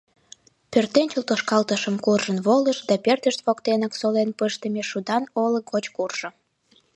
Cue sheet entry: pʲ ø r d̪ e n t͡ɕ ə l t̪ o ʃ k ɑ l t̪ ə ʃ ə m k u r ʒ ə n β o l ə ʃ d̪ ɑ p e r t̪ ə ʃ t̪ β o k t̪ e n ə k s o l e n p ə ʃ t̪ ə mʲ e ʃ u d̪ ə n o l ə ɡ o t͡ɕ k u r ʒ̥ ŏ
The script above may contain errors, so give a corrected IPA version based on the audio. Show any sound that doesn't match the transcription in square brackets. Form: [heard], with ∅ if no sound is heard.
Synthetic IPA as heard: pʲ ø r [t̪] e n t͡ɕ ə l t̪ o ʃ k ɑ l t̪ ə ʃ ə m k u r ʒ ə n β o l ə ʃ d̪ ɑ p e r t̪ ə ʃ t̪ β o k t̪ e n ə k s o l e n p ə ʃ t̪ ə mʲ e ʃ u d̪ [ɑ] n o l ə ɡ o t͡ɕ k u r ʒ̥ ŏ